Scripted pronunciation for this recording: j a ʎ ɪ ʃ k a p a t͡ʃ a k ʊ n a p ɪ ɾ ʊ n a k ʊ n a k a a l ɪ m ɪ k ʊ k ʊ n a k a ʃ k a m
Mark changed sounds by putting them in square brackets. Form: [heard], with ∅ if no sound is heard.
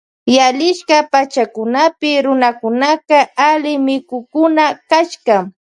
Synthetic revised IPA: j a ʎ ɪ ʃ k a p a t͡ʃ a k ʊ n a p ɪ ɾ ʊ n a k ʊ n a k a a l ɪ m ɪ k ʊ k ʊ n a k a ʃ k a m